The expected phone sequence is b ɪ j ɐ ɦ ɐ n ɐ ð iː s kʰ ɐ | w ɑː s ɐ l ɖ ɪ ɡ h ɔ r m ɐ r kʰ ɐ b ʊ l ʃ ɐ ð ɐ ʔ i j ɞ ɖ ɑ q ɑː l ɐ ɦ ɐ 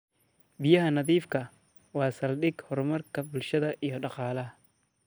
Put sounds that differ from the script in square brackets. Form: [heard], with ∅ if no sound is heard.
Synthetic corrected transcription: b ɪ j ɐ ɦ ɐ n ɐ ð iː [f] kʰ ɐ | w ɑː s ɐ l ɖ ɪ ɡ h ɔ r m ɐ r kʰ ɐ b ʊ l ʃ ɐ ð ɐ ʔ i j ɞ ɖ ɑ q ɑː l ɐ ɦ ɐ